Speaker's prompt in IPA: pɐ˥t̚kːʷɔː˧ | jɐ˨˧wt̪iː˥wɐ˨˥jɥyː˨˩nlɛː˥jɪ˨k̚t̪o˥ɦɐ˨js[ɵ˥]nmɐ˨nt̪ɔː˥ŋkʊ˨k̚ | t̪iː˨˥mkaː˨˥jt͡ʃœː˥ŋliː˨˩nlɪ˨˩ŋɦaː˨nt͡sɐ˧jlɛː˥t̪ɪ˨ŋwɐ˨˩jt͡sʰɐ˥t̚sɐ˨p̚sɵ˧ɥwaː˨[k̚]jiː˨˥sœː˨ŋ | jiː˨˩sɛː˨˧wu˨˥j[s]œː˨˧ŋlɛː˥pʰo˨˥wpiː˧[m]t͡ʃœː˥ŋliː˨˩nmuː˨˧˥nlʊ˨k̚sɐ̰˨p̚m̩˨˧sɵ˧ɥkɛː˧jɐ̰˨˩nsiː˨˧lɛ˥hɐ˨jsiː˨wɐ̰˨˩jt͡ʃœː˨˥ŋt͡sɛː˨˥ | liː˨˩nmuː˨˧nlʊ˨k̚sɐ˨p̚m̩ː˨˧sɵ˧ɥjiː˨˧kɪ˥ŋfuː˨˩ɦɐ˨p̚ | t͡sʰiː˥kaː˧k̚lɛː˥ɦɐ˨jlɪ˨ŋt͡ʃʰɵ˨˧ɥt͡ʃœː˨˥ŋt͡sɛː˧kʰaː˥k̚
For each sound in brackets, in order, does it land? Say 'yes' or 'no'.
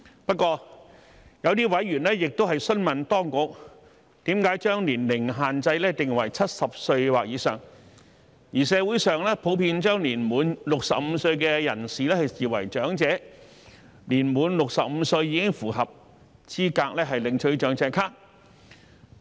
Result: yes, yes, yes, no

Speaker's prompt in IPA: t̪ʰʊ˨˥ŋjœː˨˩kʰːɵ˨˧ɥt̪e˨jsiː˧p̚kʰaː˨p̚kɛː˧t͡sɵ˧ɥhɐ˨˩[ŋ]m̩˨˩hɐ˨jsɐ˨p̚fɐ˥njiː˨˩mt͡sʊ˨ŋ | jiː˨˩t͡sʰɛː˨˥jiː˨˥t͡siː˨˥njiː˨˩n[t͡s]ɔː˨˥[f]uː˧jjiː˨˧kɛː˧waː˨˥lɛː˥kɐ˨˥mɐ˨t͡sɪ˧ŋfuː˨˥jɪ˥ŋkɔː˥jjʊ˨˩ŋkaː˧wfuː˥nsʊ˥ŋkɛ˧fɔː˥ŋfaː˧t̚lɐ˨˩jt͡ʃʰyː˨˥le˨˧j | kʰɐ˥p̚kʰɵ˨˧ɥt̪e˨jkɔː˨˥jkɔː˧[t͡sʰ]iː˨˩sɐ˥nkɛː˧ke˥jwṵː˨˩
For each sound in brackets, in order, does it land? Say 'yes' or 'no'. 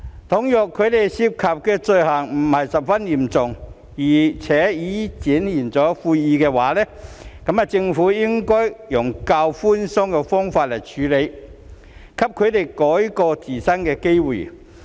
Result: yes, yes, yes, no

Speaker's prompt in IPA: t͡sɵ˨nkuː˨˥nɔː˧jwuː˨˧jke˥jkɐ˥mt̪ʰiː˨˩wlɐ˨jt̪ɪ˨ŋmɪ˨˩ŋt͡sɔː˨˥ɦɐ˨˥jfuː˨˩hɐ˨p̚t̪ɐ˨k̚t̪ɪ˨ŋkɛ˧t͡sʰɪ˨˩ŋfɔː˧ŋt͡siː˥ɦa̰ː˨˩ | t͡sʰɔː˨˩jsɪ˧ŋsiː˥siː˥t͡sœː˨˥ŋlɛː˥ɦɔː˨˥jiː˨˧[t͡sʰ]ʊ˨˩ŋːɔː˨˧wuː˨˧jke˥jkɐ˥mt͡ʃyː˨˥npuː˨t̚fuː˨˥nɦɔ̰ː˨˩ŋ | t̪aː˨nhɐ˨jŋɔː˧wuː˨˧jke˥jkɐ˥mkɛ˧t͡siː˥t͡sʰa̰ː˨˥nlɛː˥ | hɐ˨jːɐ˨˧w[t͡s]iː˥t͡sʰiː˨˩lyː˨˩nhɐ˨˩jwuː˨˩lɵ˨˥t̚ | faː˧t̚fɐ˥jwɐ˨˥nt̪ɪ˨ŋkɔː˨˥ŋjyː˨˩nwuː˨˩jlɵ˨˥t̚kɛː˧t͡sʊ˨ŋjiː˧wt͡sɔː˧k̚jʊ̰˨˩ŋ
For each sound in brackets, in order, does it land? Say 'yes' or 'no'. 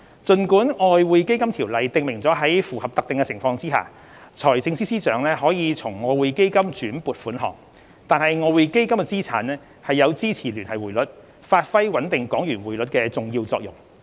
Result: yes, yes

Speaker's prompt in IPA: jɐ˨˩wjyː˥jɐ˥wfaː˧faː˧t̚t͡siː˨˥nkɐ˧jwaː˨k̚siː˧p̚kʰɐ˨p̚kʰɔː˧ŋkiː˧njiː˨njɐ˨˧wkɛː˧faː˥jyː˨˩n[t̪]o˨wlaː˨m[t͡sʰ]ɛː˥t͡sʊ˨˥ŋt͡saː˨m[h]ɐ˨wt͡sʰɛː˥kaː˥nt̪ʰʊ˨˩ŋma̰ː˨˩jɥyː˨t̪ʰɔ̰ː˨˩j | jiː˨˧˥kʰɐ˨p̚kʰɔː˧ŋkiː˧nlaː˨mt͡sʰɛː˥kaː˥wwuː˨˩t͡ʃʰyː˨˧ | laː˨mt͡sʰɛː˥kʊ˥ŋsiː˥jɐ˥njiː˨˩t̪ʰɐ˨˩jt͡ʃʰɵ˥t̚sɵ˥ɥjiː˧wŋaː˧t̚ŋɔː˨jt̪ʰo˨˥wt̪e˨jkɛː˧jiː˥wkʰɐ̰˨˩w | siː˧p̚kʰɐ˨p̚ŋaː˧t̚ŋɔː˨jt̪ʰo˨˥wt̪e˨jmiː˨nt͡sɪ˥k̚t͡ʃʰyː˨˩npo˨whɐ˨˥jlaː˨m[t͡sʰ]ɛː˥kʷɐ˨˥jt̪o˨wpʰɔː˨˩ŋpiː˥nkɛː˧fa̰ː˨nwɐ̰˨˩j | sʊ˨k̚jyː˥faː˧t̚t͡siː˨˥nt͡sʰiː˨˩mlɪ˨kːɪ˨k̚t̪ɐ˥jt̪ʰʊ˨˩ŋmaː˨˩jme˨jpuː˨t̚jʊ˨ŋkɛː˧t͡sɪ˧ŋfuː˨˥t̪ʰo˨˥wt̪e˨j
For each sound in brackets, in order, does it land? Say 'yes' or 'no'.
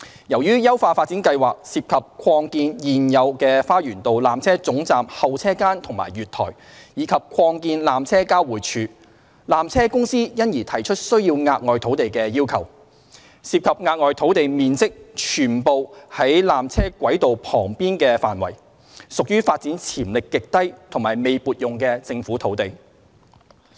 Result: yes, yes, yes, yes

